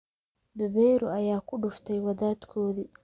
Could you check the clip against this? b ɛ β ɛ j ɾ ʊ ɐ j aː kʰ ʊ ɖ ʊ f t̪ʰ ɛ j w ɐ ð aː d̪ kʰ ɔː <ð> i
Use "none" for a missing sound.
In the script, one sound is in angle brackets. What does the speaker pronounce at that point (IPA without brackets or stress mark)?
ð